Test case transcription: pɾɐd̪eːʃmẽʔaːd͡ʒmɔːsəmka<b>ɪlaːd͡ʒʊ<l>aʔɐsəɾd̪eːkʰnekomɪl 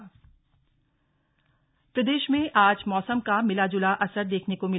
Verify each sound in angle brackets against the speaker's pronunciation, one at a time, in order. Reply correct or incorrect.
incorrect: m, correct

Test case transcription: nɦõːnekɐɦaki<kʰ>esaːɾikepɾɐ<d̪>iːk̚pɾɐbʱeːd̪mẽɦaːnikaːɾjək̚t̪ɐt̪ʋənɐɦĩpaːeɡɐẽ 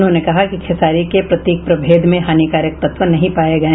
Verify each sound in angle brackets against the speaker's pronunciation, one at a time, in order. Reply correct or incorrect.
correct, incorrect: t̪

